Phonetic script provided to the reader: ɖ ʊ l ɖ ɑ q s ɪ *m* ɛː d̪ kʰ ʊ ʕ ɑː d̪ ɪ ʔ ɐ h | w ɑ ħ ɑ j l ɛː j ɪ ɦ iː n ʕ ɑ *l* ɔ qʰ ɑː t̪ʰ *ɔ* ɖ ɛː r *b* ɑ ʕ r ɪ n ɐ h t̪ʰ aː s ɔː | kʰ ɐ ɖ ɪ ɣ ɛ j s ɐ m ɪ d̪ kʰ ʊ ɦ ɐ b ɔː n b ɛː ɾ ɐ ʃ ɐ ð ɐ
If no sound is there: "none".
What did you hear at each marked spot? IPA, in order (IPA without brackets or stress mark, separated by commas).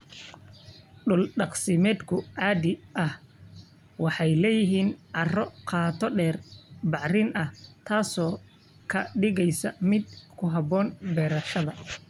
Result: m, r, ɔ, b